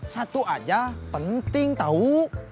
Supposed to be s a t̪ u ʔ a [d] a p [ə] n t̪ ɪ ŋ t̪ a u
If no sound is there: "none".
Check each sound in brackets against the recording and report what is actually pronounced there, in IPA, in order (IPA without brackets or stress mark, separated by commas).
d͡ʒ, ə